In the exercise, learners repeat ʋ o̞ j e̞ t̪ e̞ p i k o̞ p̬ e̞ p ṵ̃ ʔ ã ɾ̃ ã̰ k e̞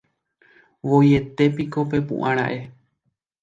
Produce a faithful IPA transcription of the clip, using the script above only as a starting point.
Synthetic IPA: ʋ o̞ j e̞ t̪ e̞ p i k o̞ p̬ e̞ p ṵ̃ ʔ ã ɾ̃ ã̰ ʔ e̞